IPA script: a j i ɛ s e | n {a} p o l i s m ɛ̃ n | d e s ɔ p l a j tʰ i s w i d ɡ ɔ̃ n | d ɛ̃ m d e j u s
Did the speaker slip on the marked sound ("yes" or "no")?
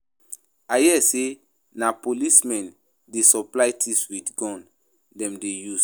no